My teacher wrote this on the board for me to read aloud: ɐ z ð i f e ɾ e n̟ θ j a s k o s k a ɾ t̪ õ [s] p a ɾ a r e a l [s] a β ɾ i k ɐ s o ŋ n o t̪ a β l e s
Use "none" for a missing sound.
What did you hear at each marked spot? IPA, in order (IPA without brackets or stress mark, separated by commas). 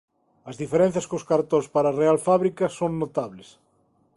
s, f